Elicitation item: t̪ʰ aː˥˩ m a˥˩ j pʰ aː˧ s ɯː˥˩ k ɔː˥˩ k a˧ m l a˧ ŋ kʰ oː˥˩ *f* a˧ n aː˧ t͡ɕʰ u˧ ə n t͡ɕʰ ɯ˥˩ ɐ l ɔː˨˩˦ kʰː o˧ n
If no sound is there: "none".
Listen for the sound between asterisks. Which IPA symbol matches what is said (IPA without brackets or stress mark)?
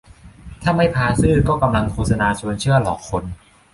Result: s